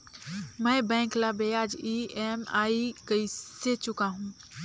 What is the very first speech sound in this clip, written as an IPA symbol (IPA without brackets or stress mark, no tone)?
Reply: m